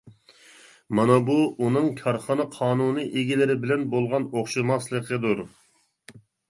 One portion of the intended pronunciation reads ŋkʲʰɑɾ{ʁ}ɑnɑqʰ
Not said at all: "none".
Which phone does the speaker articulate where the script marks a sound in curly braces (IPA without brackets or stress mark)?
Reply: χ